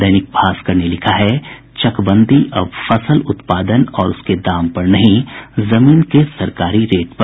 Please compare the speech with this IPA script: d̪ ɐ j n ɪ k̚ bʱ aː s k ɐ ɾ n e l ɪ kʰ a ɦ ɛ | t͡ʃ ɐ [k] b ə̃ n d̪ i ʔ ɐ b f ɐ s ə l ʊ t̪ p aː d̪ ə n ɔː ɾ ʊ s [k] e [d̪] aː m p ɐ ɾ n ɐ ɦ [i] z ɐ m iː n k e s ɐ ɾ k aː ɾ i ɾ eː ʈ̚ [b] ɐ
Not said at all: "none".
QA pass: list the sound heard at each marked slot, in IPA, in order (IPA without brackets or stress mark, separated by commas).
k, k, d̪, ĩ, p